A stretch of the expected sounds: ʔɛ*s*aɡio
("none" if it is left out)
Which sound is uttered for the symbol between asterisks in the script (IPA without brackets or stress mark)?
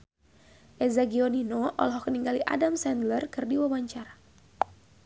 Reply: z